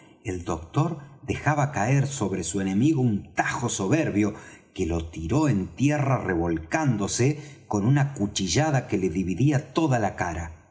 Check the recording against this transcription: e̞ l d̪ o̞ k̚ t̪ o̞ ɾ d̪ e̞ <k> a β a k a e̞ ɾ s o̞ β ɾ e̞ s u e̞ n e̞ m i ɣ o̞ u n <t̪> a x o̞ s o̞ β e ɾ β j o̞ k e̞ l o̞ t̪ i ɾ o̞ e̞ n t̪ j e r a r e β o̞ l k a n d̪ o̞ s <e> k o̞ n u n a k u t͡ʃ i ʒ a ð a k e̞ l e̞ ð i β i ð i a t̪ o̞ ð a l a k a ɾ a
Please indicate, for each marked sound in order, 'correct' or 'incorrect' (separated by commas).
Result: incorrect, correct, correct